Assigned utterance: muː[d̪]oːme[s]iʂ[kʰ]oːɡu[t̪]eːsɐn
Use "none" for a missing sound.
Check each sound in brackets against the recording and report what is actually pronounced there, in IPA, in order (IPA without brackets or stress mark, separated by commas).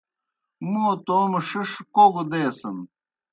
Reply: t̪, ʂ, k, d̪